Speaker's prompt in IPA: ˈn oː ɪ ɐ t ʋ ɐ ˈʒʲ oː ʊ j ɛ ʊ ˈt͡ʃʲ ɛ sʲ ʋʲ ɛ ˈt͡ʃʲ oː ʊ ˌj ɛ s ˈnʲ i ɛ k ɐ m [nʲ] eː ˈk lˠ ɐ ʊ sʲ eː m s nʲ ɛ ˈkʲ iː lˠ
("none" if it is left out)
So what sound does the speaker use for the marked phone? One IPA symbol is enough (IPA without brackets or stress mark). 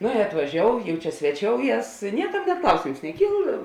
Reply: nʲ